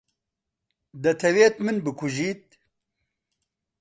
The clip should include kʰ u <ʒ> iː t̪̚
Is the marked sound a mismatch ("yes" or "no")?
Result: no